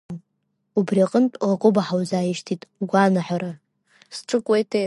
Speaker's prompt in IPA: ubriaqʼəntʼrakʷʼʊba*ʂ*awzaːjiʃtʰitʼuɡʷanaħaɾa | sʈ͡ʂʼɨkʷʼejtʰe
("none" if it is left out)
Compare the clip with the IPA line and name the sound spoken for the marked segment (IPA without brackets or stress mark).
ħ